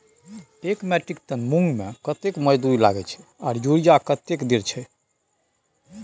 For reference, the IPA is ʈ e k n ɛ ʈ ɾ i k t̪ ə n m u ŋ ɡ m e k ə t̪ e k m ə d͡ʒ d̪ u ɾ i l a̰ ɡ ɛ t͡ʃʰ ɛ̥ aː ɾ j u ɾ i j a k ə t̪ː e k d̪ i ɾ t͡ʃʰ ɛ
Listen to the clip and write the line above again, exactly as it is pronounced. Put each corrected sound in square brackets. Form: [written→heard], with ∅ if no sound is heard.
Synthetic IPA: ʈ e k [n→m] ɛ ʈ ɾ i k t̪ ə n m u ŋ ɡ m e k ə t̪ e k m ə d͡ʒ d̪ u ɾ i l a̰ ɡ ɛ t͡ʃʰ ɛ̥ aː ɾ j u ɾ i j a k ə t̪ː e k d̪ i ɾ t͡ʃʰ ɛ